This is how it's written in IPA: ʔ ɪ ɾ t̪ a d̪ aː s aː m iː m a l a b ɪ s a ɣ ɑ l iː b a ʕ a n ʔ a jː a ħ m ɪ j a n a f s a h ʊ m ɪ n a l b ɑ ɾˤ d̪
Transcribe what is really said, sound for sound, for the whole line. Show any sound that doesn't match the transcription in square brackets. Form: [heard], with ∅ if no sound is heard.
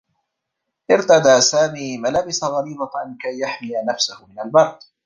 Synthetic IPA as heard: ʔ ɪ ɾ t̪ a d̪ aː s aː m iː m a l a b ɪ s a ɣ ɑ [ɾ] iː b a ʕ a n [k] a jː a ħ m ɪ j a n a f s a h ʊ m ɪ n a l b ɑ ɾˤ d̪